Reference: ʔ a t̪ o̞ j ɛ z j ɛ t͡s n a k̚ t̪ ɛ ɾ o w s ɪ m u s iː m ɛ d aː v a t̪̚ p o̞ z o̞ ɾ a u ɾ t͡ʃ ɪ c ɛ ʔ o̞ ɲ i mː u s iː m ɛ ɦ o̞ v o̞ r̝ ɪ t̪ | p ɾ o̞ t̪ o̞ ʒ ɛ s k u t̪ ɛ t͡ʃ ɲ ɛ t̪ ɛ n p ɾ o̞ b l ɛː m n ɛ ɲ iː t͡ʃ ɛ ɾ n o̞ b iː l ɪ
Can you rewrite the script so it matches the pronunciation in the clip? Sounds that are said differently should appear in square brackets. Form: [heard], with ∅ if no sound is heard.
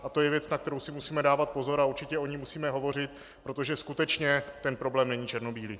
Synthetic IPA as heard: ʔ a t̪ o̞ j ɛ [v] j ɛ t͡s n a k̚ t̪ ɛ ɾ o w s ɪ m u s iː m ɛ d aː v a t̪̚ p o̞ z o̞ ɾ a u ɾ t͡ʃ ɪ c ɛ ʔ o̞ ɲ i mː u s iː m ɛ ɦ o̞ v o̞ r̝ ɪ t̪ | p ɾ o̞ t̪ o̞ ʒ ɛ s k u t̪ ɛ t͡ʃ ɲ ɛ t̪ ɛ n p ɾ o̞ b l ɛː m n ɛ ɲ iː t͡ʃ ɛ ɾ n o̞ b iː l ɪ